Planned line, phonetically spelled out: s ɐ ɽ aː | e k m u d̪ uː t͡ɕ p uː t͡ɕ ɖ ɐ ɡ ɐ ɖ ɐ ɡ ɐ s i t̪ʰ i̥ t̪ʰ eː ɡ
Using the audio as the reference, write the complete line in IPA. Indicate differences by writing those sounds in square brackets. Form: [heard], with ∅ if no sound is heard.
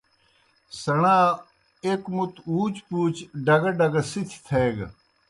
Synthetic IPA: s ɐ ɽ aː | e k m u [t̪] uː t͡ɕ p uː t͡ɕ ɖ ɐ ɡ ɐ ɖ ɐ ɡ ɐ s i t̪ʰ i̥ t̪ʰ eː ɡ